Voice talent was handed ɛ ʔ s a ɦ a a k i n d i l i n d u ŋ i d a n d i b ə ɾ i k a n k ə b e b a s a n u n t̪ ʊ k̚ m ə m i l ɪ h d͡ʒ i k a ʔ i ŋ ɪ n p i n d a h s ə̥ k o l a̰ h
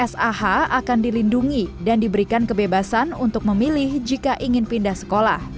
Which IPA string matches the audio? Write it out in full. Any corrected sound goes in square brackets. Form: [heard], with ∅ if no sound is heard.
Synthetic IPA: ɛ [∅] s a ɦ a a k [a] n d i l i n d u ŋ i d a n d i b ə ɾ i k a n k ə b e b a s a n u n t̪ ʊ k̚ m ə m i l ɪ h d͡ʒ i k a ʔ i ŋ ɪ n p i n d a h s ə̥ k o l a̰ h